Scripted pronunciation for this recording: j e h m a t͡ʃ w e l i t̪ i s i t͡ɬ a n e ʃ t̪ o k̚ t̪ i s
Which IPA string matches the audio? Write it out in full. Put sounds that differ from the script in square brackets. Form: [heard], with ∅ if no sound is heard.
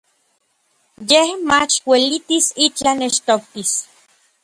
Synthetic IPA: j e h m a t͡ʃ w e l i t̪ i s i t͡ɬ a n e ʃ t̪ o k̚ t̪ i s